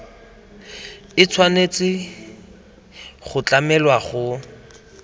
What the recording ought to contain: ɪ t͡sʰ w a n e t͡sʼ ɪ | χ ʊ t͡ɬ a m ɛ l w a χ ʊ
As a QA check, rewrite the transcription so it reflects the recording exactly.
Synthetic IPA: ɪ t͡sʰ w a n e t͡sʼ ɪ | χ ʊ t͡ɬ a m ɛ l w a χ ʊ

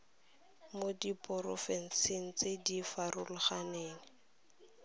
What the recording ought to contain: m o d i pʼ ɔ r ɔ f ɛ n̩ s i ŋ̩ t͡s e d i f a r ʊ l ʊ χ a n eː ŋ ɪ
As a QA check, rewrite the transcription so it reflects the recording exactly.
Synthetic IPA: m o d i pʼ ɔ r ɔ f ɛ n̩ s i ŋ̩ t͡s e d i f a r ʊ l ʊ χ a n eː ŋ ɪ

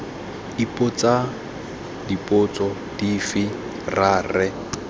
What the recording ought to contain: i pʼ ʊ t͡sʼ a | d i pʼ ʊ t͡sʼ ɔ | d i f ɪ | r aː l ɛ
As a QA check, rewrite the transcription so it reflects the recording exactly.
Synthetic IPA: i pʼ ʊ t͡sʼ a | d i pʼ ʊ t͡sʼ ɔ | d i f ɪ | r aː r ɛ

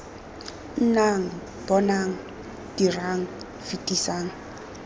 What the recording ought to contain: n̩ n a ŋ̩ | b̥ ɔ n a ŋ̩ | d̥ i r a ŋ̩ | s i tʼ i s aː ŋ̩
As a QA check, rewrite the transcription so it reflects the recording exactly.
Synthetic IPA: n̩ n a ŋ̩ | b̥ ɔ n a ŋ̩ | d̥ i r a ŋ̩ | f i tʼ i s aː ŋ̩

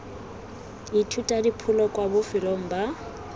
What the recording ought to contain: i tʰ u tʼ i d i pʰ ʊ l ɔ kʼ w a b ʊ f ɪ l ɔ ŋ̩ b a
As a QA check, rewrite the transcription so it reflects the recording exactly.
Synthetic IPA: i tʰ u tʼ a d i pʰ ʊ l ɔ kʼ w a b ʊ f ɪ l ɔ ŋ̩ b a

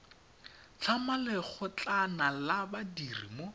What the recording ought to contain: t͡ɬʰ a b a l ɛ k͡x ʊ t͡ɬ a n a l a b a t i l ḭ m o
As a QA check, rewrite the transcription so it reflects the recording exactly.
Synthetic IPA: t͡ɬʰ a m a l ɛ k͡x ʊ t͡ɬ a n a l a b a d i r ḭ m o

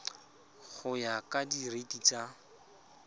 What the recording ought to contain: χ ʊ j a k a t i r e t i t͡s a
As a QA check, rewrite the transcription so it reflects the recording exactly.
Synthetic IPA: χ ʊ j a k a d i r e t i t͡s a

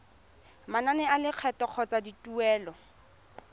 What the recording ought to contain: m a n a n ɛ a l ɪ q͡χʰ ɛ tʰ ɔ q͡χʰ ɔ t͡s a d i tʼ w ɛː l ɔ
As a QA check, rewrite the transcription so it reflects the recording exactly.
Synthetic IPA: m a n a n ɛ a l ɪ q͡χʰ ɛ t ɔ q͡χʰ ɔ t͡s a d i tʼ u ɛː l ɔ

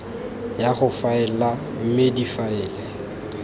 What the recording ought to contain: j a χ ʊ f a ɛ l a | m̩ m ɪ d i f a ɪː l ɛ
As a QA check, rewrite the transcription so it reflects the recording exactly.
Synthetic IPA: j a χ ʊ f a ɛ l a | m̩ m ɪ d i f a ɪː l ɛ

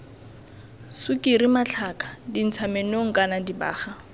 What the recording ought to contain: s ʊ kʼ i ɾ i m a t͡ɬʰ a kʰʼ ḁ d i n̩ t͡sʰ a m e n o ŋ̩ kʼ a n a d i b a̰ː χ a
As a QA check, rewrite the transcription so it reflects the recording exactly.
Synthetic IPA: s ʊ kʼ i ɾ i m a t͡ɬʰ a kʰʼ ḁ d i n̩ t͡sʰ a m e n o ŋ̩ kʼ a n a d i b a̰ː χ a

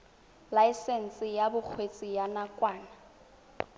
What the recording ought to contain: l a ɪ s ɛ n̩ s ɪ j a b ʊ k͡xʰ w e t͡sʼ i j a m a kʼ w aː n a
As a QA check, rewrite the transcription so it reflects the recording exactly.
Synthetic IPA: l a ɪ s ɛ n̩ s ɪ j a b ʊ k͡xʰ w e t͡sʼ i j a n a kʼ w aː n a

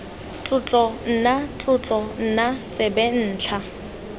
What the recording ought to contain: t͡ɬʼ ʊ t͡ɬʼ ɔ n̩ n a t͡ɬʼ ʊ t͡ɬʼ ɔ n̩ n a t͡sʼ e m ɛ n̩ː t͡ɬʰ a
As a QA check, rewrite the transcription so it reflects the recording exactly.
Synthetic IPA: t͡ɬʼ ʊ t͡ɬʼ ɔ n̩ n a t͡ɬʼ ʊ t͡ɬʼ ɔ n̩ n a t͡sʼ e b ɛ n̩ː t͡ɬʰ a

